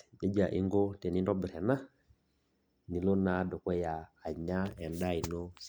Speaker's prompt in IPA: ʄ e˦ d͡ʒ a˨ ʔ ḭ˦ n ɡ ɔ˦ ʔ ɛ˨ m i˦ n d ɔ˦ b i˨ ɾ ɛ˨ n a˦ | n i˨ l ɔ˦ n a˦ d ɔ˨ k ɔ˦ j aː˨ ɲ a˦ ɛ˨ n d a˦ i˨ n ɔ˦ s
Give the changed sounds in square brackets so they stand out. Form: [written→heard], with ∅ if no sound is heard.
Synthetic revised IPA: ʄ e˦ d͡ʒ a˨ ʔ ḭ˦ [n→ŋ] ɡ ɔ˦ [ʔ→t] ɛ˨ [m→n] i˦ n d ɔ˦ b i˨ ɾ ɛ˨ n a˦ | n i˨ l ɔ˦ n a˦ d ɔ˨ k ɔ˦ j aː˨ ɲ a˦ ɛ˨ n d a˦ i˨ n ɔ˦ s